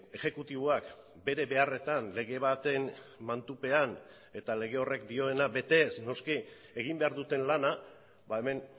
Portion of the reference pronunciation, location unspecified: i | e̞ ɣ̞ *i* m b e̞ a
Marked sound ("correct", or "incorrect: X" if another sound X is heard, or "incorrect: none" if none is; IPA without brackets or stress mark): correct